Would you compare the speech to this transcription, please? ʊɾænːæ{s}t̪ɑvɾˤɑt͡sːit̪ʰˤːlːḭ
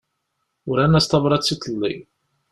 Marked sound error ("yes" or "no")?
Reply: no